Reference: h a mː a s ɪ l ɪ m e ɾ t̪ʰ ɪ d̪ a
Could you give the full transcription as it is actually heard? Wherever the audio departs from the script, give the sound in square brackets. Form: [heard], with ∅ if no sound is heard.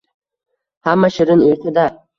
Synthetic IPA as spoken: h a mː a [ʃ] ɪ [ɾ] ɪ [n] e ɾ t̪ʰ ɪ d̪ a